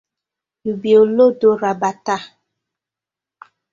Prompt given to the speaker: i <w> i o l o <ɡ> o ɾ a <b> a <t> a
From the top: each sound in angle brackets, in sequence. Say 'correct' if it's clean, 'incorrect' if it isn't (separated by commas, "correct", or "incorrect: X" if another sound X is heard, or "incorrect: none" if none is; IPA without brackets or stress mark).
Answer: incorrect: b, incorrect: d, correct, correct